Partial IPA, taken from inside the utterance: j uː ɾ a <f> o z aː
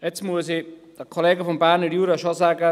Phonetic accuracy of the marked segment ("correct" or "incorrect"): incorrect